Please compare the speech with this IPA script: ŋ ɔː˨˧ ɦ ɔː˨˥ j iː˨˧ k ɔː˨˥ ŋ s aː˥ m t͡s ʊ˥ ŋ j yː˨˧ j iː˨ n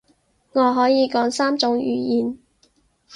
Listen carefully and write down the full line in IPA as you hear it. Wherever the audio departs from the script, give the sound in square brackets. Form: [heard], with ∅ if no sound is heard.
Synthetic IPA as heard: ŋ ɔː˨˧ ɦ ɔː˨˥ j iː˨˧ k ɔː˨˥ ŋ s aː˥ m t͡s [ʊ˨˥] ŋ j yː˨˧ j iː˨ n